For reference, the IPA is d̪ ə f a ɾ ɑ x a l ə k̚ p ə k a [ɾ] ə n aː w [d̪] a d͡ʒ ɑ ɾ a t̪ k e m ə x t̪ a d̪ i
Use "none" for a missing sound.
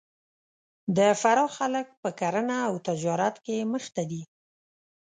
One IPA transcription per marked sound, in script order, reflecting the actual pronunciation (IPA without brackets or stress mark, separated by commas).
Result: ɾ, t̪